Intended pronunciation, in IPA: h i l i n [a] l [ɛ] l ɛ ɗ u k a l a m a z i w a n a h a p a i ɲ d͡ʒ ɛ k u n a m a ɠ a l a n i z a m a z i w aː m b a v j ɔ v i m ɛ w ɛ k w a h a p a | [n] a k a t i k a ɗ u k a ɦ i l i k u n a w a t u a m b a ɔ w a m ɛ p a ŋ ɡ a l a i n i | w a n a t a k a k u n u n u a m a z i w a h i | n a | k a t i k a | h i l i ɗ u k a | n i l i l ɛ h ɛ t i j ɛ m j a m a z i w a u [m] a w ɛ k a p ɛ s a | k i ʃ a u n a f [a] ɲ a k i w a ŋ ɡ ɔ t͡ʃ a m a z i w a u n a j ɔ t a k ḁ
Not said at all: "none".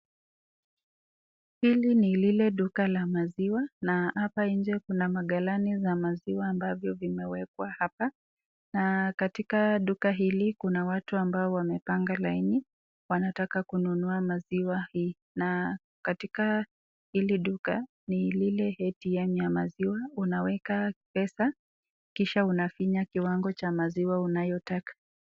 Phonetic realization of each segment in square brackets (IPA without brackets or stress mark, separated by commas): i, i, n, n, i